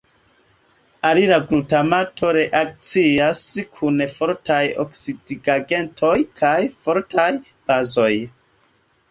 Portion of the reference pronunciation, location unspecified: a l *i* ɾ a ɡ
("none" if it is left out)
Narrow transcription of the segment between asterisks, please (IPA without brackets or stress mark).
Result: i